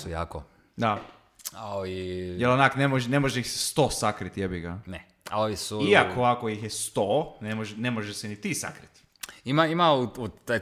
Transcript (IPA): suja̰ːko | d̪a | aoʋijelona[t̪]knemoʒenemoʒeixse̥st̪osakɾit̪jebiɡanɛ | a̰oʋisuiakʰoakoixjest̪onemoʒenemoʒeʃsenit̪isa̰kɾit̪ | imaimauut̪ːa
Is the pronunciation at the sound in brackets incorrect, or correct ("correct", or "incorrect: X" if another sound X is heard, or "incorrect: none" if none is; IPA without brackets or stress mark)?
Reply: incorrect: none